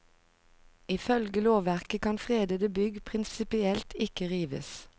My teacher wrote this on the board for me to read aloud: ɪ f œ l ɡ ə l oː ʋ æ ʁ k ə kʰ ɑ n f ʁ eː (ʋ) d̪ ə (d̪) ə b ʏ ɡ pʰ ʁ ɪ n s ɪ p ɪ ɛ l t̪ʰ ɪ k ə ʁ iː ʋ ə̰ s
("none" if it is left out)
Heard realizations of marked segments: none, d̪

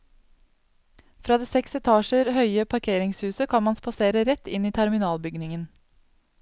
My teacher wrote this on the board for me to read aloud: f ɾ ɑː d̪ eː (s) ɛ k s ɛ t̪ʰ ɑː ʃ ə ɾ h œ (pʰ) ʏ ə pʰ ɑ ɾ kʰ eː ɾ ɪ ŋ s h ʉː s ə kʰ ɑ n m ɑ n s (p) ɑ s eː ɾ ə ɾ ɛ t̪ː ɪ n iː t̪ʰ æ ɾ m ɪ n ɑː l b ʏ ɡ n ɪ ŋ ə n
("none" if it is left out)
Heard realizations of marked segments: s, none, p

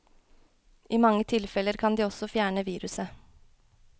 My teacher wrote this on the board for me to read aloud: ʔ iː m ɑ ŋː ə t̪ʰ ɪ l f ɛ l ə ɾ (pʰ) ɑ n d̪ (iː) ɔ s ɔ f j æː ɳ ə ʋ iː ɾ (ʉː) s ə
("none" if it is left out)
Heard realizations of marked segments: kʰ, iː, ʉ

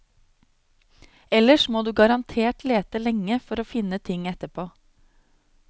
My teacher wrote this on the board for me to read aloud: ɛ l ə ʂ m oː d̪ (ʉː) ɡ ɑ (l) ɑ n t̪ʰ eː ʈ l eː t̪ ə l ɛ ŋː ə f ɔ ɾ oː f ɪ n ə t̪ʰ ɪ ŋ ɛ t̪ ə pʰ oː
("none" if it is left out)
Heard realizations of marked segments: ʉː, ɾ

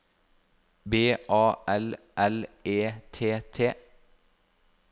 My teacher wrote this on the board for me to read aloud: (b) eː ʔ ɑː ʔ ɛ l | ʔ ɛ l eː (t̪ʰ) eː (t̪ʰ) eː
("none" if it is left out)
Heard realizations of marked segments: b, t̪ʰ, t̪ʰ

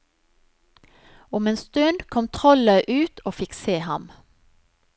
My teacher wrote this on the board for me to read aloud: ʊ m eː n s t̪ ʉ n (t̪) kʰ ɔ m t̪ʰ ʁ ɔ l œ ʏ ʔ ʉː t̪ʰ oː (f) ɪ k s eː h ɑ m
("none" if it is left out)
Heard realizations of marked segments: d̪, f

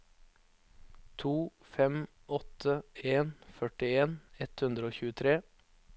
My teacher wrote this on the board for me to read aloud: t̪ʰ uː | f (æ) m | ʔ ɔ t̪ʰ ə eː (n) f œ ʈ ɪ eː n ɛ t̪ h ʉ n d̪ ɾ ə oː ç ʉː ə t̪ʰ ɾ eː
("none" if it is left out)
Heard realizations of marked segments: ɛ, n

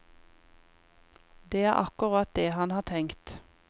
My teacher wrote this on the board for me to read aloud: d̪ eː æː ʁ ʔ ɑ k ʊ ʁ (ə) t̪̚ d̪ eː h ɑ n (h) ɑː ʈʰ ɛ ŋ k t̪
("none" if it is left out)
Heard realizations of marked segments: ɑ, h

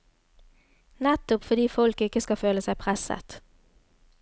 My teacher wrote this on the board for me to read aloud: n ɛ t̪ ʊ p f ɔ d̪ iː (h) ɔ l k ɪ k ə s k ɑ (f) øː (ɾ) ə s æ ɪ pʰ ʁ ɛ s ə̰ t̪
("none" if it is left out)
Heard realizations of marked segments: f, f, l

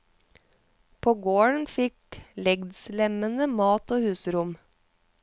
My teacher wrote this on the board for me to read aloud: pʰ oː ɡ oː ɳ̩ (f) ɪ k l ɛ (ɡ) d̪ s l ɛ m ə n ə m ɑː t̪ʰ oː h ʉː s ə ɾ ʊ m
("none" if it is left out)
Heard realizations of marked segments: f, ɡ

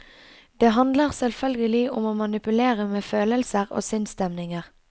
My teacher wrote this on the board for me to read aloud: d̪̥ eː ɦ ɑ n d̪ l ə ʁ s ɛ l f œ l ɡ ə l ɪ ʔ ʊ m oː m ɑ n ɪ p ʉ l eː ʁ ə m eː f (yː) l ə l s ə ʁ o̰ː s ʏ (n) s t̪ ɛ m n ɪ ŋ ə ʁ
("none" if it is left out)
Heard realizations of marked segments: øː, n

